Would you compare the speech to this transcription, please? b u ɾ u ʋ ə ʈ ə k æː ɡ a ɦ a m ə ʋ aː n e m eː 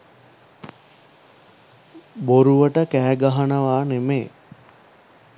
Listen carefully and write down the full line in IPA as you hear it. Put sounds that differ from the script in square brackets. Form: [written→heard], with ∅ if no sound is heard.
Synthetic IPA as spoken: b [u→o] ɾ u ʋ ə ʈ ə k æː ɡ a ɦ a [m→n] ə ʋ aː n e m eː